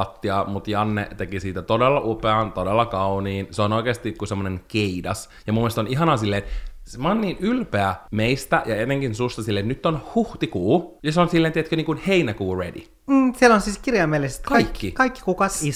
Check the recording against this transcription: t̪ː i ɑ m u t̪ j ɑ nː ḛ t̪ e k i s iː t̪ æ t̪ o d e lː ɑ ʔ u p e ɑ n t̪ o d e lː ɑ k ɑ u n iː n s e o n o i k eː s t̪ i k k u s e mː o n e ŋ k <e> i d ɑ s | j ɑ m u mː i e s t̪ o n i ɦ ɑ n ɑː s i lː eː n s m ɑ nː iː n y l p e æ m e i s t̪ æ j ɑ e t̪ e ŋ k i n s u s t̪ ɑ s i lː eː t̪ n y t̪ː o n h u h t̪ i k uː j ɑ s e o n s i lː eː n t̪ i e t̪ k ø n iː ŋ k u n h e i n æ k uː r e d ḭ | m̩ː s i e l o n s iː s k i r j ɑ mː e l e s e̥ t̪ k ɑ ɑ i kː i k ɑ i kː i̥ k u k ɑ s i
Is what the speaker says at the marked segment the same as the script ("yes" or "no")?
yes